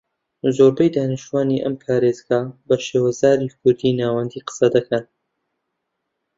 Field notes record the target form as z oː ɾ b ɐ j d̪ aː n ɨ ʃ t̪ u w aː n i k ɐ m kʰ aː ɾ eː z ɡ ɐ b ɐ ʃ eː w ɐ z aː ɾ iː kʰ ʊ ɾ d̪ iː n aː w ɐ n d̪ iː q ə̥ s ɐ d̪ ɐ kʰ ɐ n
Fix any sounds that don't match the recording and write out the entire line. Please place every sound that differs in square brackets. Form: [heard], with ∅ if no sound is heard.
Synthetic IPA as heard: z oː ɾ b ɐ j d̪ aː n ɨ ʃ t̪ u w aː n i [ʔ] ɐ m [pʰ] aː ɾ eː z ɡ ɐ b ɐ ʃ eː w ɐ z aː ɾ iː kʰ ʊ ɾ d̪ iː n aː w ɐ n d̪ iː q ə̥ s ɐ d̪ ɐ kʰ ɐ n